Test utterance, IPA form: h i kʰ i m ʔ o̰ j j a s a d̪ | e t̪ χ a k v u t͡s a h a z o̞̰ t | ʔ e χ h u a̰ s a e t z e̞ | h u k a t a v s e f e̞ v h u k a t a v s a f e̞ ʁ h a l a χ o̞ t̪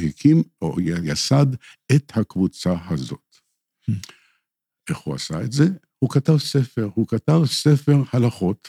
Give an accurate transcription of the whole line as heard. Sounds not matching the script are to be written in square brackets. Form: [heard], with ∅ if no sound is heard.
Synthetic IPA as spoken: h i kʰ i m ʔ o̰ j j a s a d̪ | e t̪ [h] a k v u t͡s a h a z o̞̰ t | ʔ e χ h u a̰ s a e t z e̞ | h u k a t a v s e f e̞ [ʁ] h u k a t a v s [e] f e̞ ʁ h a l a χ o̞ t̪